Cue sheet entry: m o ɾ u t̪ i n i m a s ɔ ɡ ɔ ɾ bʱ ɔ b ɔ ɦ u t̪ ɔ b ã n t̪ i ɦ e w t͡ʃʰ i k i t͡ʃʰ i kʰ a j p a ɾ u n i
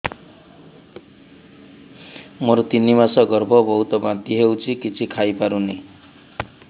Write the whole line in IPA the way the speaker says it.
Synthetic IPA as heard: m o ɾ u t̪ i n i m a s ɔ ɡ ɔ ɾ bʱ ɔ b ɔ ɦ u t̪ ɔ b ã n t̪ i ɦ e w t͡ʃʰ i k i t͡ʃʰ i kʰ a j p a ɾ u n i